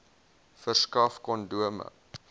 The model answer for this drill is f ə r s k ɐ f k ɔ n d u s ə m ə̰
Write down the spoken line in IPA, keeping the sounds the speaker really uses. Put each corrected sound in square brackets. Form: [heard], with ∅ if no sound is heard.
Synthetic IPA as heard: f ə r s k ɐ f k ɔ n d u [∅] ə m ə̰